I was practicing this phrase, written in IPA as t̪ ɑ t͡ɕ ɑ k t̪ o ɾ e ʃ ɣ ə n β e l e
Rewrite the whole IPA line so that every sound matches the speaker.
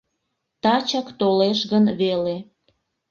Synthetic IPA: t̪ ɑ t͡ɕ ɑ k t̪ o l e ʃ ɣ ə n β e l e